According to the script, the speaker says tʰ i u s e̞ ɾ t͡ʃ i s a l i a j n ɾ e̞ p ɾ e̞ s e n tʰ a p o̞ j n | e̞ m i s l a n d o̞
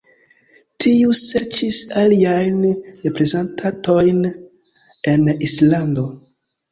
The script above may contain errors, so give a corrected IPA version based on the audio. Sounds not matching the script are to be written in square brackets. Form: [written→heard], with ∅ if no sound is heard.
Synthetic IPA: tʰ i u s e̞ ɾ t͡ʃ i s a l i a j n ɾ e̞ p ɾ e̞ [s→z] e n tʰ a [p→t] o̞ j n | e̞ [m→n] i s l a n d o̞